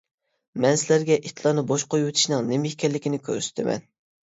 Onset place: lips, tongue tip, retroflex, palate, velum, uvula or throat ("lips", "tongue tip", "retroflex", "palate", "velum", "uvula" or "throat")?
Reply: lips